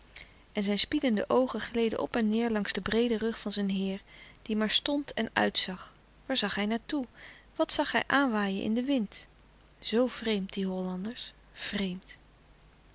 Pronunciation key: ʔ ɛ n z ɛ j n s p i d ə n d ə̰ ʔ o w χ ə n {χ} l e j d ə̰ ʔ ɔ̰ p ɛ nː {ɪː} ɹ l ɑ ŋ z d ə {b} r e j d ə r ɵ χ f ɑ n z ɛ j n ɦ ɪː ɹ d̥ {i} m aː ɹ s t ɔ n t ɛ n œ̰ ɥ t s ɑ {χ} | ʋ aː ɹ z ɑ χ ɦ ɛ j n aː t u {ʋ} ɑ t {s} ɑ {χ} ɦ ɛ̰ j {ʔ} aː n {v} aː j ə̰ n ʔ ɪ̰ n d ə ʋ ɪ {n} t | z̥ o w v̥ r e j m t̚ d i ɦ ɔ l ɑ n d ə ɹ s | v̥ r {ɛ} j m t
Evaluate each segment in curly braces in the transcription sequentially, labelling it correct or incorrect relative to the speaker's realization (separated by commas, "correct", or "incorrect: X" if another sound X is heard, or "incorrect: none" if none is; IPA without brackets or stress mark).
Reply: correct, correct, correct, correct, correct, correct, correct, correct, correct, incorrect: ʋ, correct, incorrect: e